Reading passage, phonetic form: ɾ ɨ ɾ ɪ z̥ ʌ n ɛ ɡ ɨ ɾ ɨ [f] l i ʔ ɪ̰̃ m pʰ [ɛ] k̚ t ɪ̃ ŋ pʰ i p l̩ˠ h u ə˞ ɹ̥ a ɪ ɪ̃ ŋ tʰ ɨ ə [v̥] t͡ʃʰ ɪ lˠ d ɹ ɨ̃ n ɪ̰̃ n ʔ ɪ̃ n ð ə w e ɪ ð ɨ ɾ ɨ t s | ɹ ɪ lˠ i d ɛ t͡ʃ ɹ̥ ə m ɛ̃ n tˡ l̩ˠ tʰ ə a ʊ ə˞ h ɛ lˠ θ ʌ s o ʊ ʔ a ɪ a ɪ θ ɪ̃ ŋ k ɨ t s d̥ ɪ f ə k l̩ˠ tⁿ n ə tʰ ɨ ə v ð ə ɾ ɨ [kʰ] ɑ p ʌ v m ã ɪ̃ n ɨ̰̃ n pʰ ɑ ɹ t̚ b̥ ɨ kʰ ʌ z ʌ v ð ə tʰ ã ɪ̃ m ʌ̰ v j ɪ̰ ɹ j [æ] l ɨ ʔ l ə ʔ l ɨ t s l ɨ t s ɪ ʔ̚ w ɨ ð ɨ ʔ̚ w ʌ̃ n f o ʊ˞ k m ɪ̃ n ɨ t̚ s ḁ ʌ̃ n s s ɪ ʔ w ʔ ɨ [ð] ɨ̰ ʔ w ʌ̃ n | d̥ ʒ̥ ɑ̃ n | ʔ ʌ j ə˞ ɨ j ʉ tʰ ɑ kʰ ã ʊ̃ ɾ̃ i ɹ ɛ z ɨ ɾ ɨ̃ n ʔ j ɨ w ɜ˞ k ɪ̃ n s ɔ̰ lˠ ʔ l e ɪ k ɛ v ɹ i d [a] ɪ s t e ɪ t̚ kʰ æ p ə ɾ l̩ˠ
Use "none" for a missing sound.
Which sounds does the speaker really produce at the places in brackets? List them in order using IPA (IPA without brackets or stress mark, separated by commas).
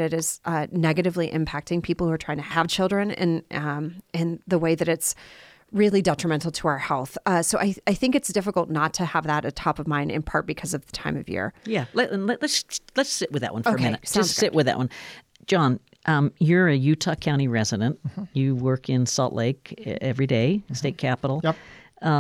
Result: v, æ, v̥, tʰ, æ, ð, e